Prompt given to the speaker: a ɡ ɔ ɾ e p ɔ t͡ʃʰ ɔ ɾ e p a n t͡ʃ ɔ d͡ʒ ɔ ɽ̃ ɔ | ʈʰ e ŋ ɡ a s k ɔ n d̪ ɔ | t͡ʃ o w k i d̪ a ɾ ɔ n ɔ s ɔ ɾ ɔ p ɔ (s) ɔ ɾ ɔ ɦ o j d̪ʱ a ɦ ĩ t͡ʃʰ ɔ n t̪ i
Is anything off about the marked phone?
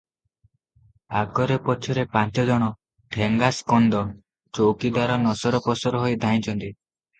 no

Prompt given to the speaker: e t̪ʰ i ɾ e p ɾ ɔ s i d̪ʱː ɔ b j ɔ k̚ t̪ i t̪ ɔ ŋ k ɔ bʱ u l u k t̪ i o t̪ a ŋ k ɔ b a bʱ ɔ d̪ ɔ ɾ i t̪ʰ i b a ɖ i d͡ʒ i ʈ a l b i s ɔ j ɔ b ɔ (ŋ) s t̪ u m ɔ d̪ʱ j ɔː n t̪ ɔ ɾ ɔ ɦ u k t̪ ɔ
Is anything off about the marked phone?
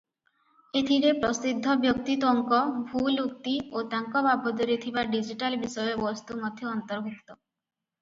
yes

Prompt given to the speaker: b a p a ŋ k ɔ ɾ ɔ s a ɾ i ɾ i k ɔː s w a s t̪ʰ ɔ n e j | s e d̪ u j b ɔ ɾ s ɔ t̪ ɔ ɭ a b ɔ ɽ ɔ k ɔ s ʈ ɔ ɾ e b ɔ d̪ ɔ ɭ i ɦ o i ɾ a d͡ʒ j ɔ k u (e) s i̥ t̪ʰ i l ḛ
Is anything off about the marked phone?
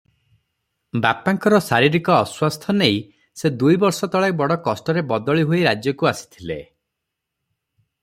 yes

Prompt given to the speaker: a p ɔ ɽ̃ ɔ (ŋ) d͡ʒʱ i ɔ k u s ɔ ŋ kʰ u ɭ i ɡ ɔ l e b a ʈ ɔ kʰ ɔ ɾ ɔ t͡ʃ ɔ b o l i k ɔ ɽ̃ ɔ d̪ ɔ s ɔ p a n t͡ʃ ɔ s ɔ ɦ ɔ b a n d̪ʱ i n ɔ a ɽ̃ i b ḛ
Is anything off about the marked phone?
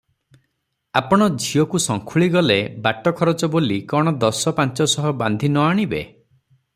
yes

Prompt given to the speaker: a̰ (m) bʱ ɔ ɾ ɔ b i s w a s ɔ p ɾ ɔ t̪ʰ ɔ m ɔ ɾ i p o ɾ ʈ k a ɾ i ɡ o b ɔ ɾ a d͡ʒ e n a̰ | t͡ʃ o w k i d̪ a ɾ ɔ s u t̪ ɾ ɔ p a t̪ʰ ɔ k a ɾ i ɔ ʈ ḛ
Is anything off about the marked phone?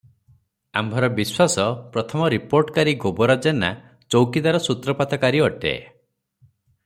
no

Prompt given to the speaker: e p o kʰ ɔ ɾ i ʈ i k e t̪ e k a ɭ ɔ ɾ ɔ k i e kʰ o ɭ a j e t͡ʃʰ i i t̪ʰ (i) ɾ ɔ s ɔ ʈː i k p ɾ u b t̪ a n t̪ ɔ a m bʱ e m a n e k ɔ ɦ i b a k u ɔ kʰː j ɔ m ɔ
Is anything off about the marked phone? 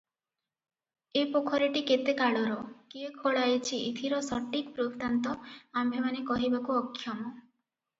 no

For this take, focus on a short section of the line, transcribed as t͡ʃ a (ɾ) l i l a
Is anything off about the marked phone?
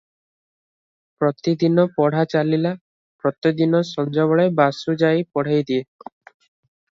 yes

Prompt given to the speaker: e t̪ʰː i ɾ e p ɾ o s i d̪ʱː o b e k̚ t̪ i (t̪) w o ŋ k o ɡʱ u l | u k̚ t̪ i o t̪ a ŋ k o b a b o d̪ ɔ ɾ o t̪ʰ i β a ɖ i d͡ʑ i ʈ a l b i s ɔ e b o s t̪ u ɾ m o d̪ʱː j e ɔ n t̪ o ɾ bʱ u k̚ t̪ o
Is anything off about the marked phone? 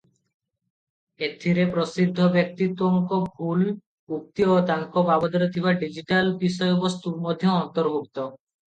no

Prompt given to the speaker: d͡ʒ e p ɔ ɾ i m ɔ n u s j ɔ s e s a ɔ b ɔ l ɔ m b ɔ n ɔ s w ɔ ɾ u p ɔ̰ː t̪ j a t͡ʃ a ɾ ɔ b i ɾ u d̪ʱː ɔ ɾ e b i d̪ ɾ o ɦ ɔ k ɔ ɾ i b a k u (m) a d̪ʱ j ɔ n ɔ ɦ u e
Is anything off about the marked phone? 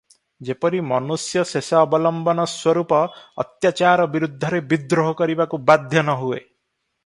yes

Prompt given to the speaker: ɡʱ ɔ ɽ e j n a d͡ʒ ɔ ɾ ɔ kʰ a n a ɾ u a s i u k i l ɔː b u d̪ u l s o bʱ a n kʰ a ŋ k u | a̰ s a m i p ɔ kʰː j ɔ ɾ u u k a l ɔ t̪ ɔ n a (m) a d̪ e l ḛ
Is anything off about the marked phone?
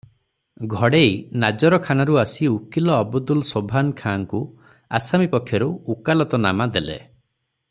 no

